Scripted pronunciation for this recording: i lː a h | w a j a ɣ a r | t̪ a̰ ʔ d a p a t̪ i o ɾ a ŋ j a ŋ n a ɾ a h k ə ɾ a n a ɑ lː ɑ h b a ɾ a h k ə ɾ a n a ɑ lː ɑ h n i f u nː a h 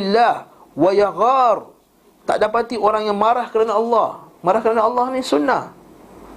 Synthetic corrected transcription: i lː a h | w a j a ɣ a r | t̪ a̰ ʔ d a p a t̪ i o ɾ a ŋ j a ŋ m a ɾ a h k ə ɾ a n a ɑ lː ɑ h m a ɾ a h k ə ɾ a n a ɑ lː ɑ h n i s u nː a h